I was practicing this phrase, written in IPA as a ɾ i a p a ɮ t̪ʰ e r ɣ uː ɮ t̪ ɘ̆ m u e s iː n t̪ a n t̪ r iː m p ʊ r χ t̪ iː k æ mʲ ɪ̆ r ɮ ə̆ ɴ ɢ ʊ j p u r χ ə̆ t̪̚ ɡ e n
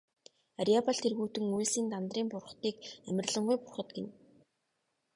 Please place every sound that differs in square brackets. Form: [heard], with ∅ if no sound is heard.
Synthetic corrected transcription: a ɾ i a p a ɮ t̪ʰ e r ɣ uː [∅] t̪ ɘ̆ [ŋ] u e s iː n t̪ a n t̪ r iː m p ʊ r χ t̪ iː k æ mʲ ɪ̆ r ɮ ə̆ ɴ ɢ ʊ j p [ʊ] r χ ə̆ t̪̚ ɡ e n